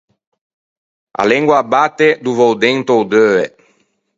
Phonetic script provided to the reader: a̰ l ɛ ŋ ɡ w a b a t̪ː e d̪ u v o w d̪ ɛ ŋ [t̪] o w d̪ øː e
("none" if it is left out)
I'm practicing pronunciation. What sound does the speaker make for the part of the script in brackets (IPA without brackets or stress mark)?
t̪